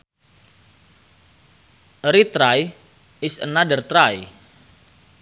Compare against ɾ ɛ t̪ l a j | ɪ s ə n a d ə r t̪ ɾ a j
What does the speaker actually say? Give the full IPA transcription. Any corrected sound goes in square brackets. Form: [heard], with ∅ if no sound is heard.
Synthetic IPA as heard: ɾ [i] t̪ [ɾ] a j | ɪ s ə n a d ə r t̪ ɾ a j